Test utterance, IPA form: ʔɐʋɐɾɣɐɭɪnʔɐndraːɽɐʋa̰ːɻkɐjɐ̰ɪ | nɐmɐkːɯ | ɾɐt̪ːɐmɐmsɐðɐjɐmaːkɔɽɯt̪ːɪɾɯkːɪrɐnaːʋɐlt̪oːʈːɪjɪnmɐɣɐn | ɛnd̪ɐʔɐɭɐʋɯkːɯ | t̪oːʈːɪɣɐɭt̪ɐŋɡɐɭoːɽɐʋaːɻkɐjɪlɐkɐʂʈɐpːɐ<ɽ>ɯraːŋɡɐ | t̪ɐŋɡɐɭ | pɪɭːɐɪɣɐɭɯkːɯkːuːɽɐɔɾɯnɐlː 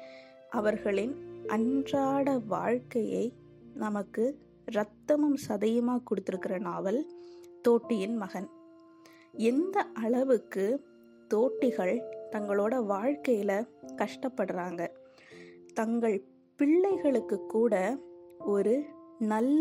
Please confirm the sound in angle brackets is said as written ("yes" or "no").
yes